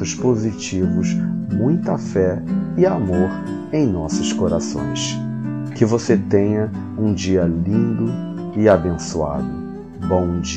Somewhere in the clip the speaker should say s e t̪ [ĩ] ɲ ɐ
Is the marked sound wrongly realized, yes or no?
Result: yes